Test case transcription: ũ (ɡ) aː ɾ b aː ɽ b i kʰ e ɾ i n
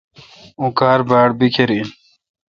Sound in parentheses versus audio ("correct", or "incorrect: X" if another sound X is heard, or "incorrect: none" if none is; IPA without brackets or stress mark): incorrect: k